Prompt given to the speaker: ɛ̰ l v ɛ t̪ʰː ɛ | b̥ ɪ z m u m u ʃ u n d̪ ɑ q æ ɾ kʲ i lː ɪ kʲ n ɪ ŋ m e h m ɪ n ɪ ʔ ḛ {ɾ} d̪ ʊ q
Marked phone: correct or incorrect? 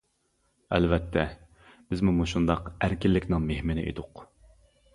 incorrect